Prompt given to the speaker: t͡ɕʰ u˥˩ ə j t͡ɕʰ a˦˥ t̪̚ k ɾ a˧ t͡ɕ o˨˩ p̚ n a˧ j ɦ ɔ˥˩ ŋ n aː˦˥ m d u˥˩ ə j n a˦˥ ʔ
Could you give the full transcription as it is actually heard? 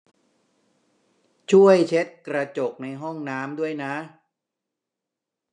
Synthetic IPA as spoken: t͡ɕʰ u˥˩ ə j t͡ɕʰ e˦˥ t̪̚ k ɾ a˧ t͡ɕ o˨˩ k̚ n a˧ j ɦ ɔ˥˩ ŋ n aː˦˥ m d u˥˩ ə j n a˦˥ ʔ

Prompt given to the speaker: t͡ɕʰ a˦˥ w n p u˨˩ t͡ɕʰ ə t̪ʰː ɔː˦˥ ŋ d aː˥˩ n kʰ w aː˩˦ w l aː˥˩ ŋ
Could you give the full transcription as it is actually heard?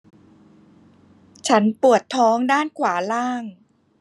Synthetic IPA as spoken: t͡ɕʰ a˦˥ n p u˨˩ ə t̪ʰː ɔː˦˥ ŋ d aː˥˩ n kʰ w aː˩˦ l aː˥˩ ŋ

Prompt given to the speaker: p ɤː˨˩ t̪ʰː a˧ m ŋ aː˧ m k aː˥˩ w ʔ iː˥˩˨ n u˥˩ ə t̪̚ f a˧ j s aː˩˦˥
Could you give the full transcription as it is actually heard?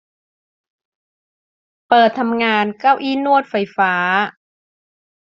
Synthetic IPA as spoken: p ɤː˨˩ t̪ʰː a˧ m ŋ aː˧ n k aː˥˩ w ʔ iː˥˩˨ n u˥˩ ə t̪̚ f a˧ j f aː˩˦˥

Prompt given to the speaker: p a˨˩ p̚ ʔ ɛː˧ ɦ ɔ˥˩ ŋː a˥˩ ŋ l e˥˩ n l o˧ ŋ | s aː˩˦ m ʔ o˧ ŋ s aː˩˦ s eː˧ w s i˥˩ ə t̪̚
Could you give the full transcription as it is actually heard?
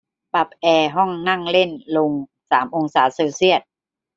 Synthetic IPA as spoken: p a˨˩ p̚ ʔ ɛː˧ ɦ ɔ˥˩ ŋː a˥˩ ŋ l e˥˩ n l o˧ ŋ | s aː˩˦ m ʔ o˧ ŋ s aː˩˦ s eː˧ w s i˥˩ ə t̪̚

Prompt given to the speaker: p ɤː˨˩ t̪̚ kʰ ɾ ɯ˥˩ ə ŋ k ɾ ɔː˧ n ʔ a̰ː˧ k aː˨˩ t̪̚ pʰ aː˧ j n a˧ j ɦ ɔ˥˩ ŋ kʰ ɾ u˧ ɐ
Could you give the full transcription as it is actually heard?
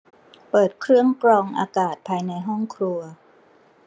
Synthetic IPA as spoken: p ɤː˨˩ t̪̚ kʰ ɾ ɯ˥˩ ə ŋ k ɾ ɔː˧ ŋ ʔ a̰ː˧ k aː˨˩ t̪̚ pʰ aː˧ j n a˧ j ɦ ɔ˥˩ ŋ kʰ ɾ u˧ ɐ

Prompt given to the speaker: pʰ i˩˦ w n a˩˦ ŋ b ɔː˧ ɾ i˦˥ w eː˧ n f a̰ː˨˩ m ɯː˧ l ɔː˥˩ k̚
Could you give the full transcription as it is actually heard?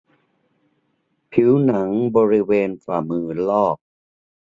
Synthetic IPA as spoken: pʰ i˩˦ w n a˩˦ ŋ b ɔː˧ ɾ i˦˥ w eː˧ n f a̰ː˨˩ m ɯː˧ l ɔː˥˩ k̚

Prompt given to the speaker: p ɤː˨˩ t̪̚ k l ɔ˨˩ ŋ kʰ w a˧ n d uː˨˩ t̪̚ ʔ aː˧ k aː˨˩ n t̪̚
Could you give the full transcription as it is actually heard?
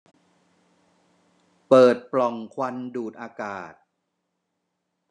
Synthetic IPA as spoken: p ɤː˨˩ t̪̚ p l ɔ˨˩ ŋ kʰ w a˧ n d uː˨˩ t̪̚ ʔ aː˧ k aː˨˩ t̪̚

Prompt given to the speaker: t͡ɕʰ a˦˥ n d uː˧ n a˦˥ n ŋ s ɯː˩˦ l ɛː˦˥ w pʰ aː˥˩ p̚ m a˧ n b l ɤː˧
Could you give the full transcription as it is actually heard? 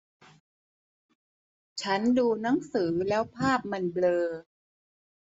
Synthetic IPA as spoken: t͡ɕʰ a˦˥ n d uː˧ n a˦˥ ŋ s ɯː˩˦ l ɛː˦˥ w pʰ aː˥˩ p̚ m a˧ n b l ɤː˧

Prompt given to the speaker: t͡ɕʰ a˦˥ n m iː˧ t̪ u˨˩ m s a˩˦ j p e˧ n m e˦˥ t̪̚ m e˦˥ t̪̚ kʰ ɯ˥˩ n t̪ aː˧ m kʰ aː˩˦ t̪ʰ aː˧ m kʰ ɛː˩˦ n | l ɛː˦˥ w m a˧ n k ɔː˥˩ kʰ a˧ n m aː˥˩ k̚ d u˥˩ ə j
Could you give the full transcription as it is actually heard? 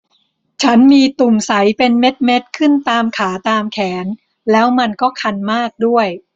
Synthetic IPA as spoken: t͡ɕʰ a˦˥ n m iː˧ t̪ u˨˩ m s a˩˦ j p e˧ n m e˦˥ t̪̚ m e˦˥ t̪̚ kʰ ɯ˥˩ n t̪ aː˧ m kʰ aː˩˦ t̪ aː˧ m kʰ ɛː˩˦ n | l ɛː˦˥ w m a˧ n k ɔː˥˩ kʰ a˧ n m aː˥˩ k̚ d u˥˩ ə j

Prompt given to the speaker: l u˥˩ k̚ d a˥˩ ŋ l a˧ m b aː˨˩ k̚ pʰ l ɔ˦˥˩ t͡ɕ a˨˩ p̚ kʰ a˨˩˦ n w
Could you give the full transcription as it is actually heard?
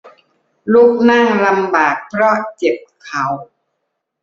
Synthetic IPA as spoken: l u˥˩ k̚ n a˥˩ ŋ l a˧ m b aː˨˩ k̚ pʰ ɾ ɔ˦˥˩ t͡ɕ e˨˩ p̚ kʰ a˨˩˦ w

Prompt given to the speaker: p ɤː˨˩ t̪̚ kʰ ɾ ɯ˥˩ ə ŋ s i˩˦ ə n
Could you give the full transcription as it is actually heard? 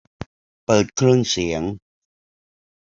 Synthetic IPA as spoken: p ɤː˨˩ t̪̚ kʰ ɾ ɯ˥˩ ə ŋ s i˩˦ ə ŋ

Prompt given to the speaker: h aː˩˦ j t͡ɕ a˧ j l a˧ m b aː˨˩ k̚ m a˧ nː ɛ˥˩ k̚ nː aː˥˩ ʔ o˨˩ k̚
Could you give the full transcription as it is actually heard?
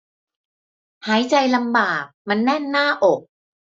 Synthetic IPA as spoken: h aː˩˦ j t͡ɕ a˧ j l a˧ m b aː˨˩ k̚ m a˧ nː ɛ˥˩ nː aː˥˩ ʔ o˨˩ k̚

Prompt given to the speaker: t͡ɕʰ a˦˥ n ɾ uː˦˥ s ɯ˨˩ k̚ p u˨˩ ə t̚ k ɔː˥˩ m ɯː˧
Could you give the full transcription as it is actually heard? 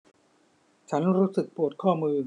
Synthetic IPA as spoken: t͡ɕʰ a˦˥ n ɾ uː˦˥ s ɯ˨˩ k̚ p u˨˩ ə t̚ kʰ ɔː˥˩ m ɯː˧

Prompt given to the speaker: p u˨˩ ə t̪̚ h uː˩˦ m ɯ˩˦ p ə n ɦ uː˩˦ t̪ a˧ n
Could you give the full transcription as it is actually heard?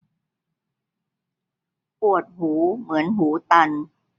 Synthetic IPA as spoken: p u˨˩ ə t̪̚ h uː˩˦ m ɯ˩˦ ə n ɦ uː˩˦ t̪ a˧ n

